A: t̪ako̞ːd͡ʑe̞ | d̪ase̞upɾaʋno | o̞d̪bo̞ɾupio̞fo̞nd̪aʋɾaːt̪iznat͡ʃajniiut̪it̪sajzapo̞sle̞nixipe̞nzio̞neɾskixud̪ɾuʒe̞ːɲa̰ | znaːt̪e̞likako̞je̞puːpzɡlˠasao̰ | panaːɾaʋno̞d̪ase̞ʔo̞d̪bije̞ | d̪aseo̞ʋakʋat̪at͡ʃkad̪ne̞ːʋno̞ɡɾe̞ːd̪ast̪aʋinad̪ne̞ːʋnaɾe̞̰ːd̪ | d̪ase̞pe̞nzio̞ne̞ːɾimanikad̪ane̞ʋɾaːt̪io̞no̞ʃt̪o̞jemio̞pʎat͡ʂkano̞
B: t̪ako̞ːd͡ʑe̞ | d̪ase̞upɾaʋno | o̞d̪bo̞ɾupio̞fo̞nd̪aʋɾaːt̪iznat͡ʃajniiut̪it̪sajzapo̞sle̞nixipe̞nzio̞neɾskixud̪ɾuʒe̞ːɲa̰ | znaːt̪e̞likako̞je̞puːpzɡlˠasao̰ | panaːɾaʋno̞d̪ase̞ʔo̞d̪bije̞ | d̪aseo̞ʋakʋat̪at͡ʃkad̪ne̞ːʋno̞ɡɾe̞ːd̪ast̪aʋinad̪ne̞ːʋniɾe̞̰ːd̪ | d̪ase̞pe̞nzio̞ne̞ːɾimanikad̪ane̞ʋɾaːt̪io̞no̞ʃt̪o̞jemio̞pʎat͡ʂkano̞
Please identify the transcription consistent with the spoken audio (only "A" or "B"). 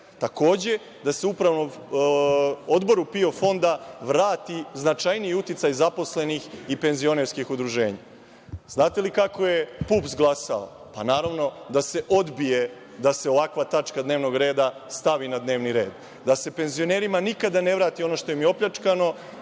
B